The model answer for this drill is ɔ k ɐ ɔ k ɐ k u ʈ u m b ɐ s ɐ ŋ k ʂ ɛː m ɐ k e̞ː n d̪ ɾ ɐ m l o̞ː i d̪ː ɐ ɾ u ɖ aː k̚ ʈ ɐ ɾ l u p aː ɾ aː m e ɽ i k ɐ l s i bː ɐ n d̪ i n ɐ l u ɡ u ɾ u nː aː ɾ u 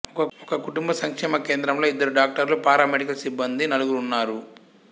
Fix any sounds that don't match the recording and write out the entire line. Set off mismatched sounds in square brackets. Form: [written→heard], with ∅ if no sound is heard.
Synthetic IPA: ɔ k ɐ ɔ k ɐ k u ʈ u m b ɐ s ɐ ŋ k ʂ ɛː m ɐ k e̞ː n d̪ ɾ ɐ m l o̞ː i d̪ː ɐ ɾ u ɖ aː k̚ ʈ ɐ ɾ l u p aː ɾ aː m e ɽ i k ɐ l s i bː ɐ n d̪ i n ɐ l u ɡ u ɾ u nː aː ɾ u